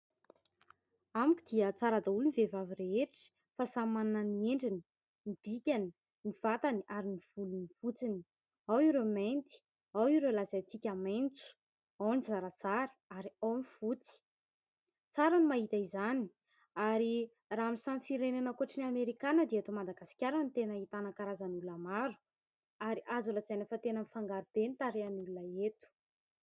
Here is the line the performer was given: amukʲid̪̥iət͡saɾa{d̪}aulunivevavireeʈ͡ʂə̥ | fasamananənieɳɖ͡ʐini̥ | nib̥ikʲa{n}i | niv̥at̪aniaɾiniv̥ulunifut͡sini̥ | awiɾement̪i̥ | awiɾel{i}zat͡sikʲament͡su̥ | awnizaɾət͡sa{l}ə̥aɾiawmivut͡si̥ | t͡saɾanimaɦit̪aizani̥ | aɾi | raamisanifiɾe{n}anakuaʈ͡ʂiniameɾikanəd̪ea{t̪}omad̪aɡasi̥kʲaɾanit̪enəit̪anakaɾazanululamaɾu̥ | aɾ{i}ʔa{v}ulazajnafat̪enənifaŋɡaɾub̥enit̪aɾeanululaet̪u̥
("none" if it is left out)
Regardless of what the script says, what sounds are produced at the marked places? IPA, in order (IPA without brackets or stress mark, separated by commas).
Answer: d̪, n, a, ɾ, n, t̪, i, z